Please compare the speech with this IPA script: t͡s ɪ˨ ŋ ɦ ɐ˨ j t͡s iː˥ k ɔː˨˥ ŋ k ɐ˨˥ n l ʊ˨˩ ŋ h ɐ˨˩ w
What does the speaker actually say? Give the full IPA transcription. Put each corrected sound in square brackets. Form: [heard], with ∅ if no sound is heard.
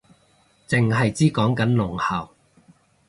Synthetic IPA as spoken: t͡s ɪ˨ ŋ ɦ ɐ˨ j t͡s iː˥ k ɔː˨˥ ŋ k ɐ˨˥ n l ʊ˨˩ ŋ h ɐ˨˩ w